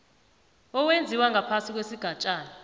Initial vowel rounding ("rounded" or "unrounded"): rounded